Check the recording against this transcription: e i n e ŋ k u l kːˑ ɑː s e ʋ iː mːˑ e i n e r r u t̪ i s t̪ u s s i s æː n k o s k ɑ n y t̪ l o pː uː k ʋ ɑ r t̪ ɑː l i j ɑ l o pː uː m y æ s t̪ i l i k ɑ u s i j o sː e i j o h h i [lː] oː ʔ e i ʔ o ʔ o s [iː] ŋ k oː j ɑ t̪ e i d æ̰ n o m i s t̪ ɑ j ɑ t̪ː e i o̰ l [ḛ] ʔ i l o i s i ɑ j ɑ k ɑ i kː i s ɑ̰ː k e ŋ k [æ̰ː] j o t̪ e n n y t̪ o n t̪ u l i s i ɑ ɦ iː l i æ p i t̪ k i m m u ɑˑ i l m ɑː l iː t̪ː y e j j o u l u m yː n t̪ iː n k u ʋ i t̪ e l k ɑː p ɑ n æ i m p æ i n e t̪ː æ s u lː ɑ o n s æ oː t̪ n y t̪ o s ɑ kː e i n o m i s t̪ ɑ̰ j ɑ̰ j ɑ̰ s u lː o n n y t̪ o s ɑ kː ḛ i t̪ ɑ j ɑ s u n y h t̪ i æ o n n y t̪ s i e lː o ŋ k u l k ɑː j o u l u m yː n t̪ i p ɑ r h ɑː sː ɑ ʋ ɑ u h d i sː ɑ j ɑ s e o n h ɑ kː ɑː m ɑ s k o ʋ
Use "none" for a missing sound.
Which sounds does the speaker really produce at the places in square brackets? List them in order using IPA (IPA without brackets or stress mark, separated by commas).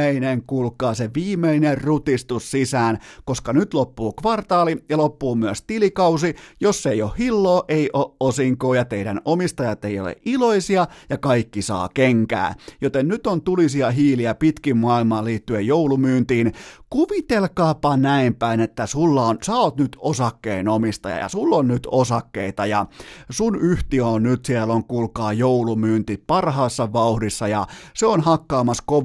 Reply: lː, i, ḛ, æ̰ː